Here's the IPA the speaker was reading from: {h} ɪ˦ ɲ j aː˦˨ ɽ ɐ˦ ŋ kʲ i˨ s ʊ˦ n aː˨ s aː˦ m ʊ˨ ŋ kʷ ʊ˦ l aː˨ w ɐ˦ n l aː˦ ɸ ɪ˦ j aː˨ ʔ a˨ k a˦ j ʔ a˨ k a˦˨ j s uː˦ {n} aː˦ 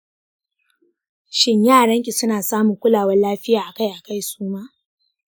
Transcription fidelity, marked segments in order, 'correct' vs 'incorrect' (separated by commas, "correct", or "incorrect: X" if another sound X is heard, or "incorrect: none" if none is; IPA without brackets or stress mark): incorrect: ʃ, incorrect: m